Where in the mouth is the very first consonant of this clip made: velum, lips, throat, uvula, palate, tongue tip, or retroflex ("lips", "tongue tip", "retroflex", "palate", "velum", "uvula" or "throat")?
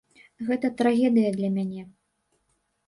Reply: velum